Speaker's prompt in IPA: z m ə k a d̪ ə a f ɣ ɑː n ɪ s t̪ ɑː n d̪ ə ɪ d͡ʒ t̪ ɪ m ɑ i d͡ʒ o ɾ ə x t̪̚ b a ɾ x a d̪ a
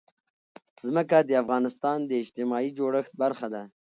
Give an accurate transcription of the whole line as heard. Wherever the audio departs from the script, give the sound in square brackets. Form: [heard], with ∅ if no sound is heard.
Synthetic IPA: z m ə k a d̪ ə a f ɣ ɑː n ɪ s t̪ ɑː n d̪ ə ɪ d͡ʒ t̪ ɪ m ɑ i d͡ʒ o [ɽ] ə x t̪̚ b a ɾ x a d̪ a

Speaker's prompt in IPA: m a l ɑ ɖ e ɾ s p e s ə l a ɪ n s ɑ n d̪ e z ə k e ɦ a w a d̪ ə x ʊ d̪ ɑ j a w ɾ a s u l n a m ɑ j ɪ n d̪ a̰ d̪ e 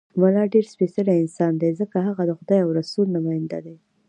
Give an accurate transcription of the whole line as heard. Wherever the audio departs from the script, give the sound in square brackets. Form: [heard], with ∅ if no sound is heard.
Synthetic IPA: m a l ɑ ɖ e ɾ s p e s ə l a ɪ n s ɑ n d̪ e z ə k [a] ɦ a [ɣ] a d̪ ə x ʊ d̪ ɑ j a w ɾ a s u l n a m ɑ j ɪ n d̪ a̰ d̪ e

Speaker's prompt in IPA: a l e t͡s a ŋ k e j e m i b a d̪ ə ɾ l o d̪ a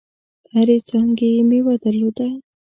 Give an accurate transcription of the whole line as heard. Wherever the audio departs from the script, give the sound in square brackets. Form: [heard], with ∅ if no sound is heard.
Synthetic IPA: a [ɾ] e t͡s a ŋ [ɡ] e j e m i [w] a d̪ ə ɾ l o d̪ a

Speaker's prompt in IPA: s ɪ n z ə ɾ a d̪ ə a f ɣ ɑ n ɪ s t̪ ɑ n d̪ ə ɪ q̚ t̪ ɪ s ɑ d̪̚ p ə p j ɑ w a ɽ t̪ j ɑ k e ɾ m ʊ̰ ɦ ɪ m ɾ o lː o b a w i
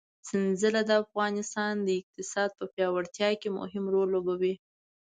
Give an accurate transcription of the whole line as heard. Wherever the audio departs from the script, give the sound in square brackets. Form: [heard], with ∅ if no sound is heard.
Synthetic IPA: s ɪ n z ə [l] a d̪ ə a f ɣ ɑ n ɪ s t̪ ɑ n d̪ ə ɪ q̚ t̪ ɪ s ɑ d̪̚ p ə p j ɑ w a ɽ t̪ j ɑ k e [∅] m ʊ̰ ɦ ɪ m ɾ o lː o b a w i

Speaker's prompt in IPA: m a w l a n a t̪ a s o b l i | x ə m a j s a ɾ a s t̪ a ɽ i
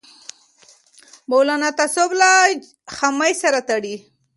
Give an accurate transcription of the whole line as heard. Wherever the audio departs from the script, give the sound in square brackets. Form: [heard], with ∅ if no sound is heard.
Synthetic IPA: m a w l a n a t̪ a s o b l [a] | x [a] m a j s a ɾ a [∅] t̪ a ɽ i

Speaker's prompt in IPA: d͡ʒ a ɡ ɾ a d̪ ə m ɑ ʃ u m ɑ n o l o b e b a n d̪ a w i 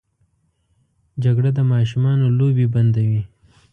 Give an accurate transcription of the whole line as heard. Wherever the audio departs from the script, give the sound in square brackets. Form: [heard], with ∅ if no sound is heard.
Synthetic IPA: d͡ʒ a ɡ [ɽ] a d̪ ə m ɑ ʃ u m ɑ n o l o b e b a n d̪ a w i

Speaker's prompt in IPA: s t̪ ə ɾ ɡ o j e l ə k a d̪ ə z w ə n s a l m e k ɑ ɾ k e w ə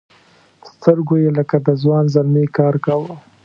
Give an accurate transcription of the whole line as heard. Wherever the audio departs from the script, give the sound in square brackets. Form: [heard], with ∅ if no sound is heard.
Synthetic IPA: s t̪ ə ɾ ɡ o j e l ə k a d̪ ə z w [ɑ] n [z] a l m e k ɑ ɾ k [a] w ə

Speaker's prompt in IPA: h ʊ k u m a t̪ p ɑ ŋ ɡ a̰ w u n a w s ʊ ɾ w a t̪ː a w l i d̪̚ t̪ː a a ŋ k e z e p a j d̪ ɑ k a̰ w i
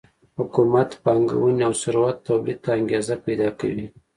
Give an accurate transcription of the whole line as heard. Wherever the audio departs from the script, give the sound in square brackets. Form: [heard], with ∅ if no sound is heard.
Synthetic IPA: h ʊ k u m a t̪ p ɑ ŋ ɡ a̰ w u n a w s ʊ ɾ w a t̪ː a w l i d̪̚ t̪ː a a ŋ [ɡ] e z [a] p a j d̪ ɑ k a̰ w i

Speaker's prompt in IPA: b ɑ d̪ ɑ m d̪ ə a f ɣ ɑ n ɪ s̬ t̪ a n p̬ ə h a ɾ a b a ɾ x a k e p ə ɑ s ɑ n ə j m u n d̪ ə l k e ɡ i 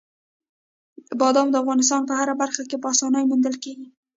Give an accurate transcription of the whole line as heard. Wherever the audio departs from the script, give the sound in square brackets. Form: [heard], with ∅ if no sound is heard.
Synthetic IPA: b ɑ d̪ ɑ m d̪ ə a f ɣ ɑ n ɪ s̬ t̪ [ɑ] n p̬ ə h a ɾ a b a ɾ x a k e p ə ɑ s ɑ n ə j m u n d̪ ə l k e ɡ i

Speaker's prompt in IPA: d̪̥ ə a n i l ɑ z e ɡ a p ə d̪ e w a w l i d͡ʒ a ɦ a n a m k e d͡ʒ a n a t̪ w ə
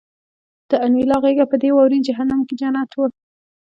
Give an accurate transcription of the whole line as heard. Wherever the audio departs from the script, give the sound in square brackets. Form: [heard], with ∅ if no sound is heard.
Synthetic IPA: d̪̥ ə a n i l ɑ [ɣ] e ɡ a p ə d̪ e w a w [ɾ] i d͡ʒ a ɦ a n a m k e d͡ʒ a n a t̪ w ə

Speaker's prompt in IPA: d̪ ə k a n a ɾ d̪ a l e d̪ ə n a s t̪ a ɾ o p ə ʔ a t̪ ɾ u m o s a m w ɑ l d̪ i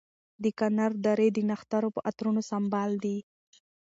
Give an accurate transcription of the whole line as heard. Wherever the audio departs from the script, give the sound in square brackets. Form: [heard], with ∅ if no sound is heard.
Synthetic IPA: d̪ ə k a n a ɾ d̪ a [ɾ] e d̪ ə n a [x] t̪ a ɾ o p ə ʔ a t̪ ɾ u [n] o s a m [b] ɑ l d̪ i

